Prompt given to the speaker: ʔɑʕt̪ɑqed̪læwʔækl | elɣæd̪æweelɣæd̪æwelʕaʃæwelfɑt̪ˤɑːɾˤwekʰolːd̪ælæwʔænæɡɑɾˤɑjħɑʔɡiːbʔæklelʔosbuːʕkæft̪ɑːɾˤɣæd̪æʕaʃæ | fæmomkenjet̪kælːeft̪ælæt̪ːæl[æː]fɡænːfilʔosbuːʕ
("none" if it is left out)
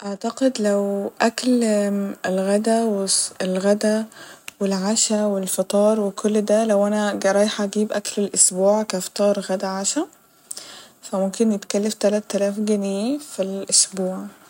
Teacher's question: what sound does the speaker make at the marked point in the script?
æː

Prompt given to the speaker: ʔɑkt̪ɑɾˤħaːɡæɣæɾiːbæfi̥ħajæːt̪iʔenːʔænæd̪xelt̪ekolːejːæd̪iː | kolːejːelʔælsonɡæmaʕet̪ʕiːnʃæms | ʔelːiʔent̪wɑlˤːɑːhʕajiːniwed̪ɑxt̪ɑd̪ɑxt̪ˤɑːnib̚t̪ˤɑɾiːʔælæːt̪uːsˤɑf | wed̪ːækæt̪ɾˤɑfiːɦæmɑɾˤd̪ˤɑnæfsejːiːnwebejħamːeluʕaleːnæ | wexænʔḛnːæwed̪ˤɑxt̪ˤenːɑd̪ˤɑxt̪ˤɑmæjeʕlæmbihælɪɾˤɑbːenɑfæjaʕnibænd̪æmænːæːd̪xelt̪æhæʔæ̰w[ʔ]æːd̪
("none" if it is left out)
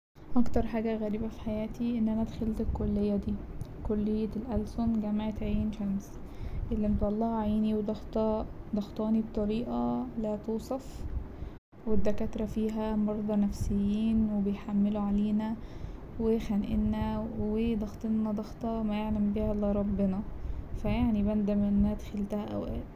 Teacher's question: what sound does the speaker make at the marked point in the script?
ʔ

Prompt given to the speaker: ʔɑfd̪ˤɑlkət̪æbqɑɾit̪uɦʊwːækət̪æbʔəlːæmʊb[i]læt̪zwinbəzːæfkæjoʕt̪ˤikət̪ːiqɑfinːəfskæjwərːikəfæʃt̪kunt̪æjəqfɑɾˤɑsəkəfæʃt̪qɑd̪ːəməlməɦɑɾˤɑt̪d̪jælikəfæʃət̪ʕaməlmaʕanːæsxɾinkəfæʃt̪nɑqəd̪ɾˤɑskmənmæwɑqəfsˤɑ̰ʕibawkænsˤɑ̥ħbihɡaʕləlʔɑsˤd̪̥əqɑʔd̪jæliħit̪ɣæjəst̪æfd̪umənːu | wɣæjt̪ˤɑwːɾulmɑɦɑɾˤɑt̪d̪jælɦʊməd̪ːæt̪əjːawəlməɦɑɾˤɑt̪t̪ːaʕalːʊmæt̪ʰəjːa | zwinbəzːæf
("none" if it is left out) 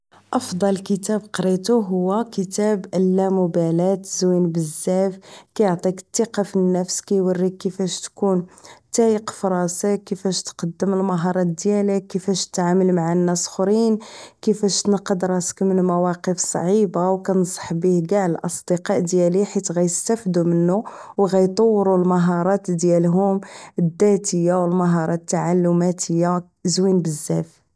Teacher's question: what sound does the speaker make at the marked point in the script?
æ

